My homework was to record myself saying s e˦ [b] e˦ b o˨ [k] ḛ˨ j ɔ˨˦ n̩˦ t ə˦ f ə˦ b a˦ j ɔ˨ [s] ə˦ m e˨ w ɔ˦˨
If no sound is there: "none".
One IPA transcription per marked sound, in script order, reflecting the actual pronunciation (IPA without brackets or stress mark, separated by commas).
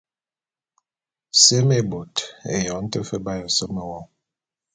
m, t, s